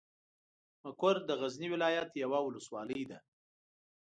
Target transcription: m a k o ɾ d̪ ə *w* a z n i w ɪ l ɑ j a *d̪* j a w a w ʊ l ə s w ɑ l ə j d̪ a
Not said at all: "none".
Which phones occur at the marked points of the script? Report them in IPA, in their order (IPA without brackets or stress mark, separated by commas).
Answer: ɣ, t̪